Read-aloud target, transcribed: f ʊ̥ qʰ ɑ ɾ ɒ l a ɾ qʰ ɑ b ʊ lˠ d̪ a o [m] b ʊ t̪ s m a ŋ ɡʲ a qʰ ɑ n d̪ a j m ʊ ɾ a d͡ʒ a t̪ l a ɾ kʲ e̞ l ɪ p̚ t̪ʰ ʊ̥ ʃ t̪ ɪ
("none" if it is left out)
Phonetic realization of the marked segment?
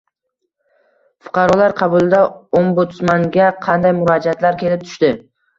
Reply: m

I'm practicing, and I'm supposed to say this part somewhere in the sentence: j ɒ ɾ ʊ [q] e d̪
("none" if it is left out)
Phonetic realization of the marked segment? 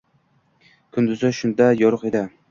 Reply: q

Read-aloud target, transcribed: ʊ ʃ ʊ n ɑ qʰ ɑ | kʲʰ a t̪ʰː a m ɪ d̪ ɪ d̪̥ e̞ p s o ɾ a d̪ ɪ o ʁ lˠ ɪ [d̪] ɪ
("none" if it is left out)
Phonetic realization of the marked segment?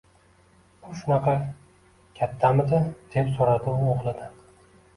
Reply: d̪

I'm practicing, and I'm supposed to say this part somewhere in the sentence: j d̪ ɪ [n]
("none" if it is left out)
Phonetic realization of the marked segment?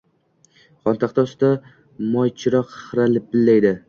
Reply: none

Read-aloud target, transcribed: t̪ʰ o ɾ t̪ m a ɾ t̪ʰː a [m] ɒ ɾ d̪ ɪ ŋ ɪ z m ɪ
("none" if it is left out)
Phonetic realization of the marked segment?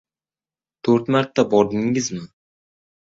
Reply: b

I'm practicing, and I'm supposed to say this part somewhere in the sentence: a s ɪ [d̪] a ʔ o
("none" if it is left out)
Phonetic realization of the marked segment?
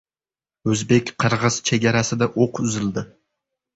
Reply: d̪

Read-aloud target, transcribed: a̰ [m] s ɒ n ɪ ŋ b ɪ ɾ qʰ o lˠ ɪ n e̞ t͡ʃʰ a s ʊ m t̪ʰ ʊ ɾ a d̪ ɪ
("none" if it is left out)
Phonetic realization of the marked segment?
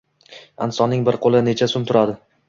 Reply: n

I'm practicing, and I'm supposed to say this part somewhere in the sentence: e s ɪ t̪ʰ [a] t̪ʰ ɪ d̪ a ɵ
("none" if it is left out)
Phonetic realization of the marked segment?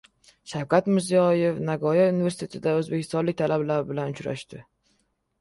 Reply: e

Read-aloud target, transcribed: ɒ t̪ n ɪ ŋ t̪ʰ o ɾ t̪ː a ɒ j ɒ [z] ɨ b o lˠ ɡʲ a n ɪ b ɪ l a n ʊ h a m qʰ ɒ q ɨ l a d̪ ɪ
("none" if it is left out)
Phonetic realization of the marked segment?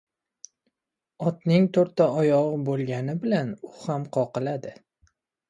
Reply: ʁ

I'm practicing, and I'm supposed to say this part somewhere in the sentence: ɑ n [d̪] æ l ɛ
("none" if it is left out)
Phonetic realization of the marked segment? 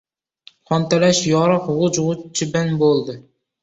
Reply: t̪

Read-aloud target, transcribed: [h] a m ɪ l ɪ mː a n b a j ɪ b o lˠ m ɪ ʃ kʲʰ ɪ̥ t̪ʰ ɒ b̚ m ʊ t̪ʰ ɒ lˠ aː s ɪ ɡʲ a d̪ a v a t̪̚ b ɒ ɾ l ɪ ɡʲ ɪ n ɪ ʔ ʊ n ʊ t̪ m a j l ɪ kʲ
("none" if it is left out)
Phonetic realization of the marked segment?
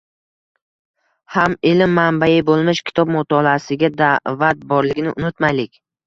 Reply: h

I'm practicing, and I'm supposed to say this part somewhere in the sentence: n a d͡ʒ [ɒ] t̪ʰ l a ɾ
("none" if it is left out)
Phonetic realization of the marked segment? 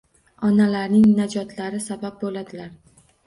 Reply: ɒ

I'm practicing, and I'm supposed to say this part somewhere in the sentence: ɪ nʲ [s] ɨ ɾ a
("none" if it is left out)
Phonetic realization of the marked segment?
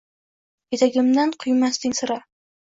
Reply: s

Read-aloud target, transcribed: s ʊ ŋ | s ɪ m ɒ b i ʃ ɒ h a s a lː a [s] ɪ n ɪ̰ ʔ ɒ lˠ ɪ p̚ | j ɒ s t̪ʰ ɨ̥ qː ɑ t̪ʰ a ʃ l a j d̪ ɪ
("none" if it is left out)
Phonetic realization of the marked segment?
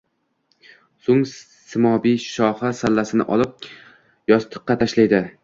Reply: s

